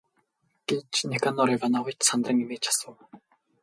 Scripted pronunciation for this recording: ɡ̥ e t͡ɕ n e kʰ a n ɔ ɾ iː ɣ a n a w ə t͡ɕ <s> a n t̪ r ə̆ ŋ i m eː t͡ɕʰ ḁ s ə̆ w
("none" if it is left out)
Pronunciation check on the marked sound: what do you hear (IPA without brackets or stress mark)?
s